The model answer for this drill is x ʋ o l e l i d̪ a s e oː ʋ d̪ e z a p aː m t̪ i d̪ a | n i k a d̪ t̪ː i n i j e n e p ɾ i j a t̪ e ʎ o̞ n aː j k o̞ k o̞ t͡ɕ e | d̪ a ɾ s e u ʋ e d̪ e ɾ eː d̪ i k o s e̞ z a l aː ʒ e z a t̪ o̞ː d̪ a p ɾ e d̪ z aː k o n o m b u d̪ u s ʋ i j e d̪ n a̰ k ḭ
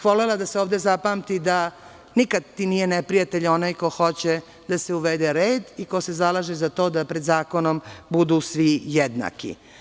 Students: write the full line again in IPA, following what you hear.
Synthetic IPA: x ʋ o l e l a d̪ a s e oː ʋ d̪ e z a p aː m t̪ i d̪ a | n i k a d̪ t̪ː i n i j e n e p ɾ i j a t̪ e ʎ o̞ n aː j k o̞ x o̞ t͡ɕ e | d̪ a s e u ʋ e d̪ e ɾ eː d̪ i k o s e̞ z a l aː ʒ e z a t̪ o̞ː d̪ a p ɾ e d̪ z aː k o n o m b u d̪ u s ʋ i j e d̪ n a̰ k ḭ